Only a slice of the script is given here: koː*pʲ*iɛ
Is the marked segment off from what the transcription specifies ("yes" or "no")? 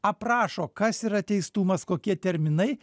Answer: yes